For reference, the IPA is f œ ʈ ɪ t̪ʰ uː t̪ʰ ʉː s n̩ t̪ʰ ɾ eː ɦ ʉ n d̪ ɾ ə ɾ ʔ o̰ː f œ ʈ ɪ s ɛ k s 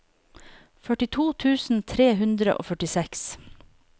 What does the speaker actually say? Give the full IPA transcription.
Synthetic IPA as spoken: f œ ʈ ɪ t̪ʰ uː t̪ʰ ʉː s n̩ t̪ʰ ɾ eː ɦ ʉ n d̪ ɾ ə ʔ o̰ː f œ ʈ ɪ s ɛ k s